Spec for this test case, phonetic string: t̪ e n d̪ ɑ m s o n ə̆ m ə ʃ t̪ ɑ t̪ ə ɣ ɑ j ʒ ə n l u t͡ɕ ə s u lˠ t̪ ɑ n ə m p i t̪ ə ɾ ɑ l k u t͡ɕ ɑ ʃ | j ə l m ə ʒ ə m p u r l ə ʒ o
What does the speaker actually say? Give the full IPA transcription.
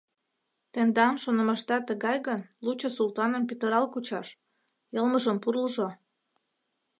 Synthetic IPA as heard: t̪ e n d̪ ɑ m ʃ o n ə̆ m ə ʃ t̪ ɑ t̪ ə ɣ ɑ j ɣ ə n l u t͡ɕ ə s u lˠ t̪ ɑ n ə m p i t̪ ə ɾ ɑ l k u t͡ɕ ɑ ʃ | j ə l m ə ʒ ə m p u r l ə ʒ o